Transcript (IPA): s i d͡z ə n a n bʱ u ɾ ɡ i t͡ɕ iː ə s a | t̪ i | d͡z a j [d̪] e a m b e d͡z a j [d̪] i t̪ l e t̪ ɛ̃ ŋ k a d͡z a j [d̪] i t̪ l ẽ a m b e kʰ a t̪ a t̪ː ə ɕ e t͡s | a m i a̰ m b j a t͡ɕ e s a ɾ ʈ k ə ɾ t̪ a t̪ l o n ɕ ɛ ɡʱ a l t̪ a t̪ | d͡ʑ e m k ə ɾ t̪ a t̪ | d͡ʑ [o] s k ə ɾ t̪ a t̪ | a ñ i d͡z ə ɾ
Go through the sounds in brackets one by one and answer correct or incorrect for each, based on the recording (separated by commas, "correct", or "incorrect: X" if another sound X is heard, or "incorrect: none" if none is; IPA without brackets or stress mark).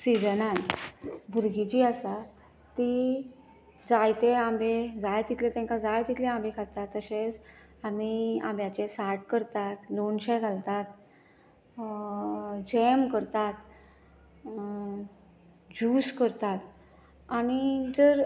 incorrect: t̪, incorrect: t̪, incorrect: t̪, incorrect: u